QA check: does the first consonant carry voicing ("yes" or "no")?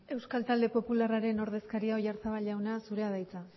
yes